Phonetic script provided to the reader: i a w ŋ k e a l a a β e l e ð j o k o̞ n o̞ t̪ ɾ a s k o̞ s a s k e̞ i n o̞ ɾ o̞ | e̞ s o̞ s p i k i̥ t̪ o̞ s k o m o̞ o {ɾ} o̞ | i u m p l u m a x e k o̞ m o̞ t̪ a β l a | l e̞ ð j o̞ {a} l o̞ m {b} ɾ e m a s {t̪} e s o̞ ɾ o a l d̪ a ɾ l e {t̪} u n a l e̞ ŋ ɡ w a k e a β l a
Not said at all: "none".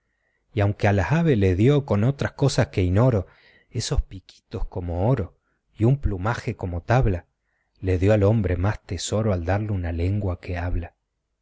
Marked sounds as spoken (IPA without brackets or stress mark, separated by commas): ɾ, a, b, t̪, none